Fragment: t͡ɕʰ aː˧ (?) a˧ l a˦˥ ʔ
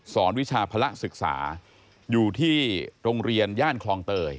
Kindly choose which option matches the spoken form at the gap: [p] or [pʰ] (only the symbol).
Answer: pʰ